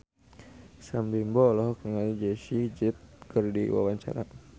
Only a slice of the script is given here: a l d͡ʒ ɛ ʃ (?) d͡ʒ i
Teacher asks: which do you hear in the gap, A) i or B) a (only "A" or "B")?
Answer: A